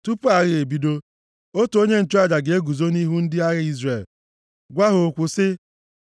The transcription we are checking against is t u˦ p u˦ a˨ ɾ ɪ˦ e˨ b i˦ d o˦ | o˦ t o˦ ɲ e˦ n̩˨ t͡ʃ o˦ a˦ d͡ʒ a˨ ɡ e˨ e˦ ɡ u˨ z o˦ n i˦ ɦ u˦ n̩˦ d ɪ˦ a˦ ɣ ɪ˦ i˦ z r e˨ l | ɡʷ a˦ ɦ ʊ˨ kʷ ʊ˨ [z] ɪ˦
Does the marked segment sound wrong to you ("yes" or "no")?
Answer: yes